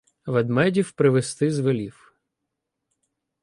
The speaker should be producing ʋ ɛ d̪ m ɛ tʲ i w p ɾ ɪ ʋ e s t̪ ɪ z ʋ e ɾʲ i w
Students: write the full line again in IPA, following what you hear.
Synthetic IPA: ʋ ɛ d̪ m ɛ dʲ i w p ɾ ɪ ʋ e s t̪ ɪ z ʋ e lʲ i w